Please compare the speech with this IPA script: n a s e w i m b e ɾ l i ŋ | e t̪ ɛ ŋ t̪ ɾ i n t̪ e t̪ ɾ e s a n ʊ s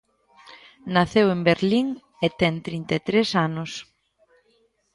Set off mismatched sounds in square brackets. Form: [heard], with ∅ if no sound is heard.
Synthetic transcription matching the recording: n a [θ] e w [e] m b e ɾ l i ŋ | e t̪ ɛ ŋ t̪ ɾ i n t̪ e t̪ ɾ e s a n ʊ s